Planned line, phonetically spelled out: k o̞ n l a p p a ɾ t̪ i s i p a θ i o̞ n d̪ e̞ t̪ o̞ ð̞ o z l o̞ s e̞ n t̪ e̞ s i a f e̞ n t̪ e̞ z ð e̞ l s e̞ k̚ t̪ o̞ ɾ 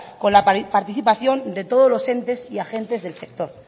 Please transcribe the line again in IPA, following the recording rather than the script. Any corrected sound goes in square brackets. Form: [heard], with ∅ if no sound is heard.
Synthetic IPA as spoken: k o̞ n l a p p a ɾ t̪ i [θ] i p a θ [j] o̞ n d̪ e̞ t̪ o̞ ð̞ o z l o̞ s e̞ n t̪ e̞ s i a [x] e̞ n t̪ e̞ z ð e̞ l s e̞ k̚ t̪ o̞ ɾ